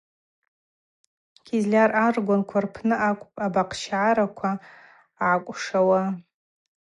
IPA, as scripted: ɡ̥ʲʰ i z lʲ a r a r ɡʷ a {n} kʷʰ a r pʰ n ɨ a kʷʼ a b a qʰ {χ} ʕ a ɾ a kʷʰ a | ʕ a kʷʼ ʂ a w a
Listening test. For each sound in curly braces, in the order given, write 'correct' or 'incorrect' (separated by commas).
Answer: correct, incorrect